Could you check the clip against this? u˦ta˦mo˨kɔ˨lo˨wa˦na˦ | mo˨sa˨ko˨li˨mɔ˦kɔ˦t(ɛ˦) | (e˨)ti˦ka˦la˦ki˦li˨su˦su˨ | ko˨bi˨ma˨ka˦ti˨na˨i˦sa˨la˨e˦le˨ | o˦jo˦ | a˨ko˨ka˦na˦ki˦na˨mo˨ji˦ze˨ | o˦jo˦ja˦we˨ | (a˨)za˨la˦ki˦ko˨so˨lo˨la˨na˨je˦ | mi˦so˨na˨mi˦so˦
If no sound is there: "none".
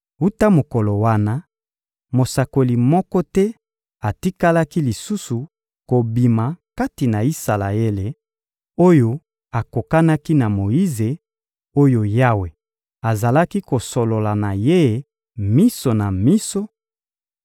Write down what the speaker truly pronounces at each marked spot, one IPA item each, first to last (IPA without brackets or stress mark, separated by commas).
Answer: ɛ˦, a˨, a˨